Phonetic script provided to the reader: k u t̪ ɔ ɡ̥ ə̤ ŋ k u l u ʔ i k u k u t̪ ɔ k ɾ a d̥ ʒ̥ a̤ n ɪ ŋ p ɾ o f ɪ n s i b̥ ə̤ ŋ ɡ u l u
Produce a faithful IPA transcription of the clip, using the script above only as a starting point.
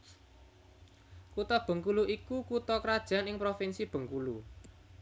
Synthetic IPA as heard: k u t̪ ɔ b̥ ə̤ ŋ k u l u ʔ i k u k u t̪ ɔ k ɾ a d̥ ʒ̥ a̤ n ɪ ŋ p ɾ o f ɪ n s i b̥ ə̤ ŋ k u l u